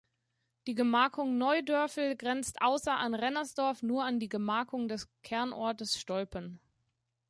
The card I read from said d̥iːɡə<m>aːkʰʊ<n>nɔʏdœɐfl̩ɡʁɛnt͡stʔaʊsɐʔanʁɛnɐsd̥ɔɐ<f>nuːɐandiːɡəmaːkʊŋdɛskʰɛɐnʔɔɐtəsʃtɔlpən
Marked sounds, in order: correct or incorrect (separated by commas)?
correct, incorrect, correct